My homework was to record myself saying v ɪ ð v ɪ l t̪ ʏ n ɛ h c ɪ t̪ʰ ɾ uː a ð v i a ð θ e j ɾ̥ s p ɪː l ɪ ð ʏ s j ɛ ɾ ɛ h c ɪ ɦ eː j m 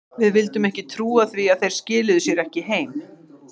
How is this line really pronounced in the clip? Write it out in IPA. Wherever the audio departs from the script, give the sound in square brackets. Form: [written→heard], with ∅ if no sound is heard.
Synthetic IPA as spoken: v ɪ ð v ɪ l t̪ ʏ [n→m] ɛ h c ɪ t̪ʰ ɾ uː a [ð→θ] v i a ð θ e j ɾ̥ s [p→c] ɪː l ɪ ð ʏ s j ɛ ɾ ɛ h c ɪ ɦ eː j m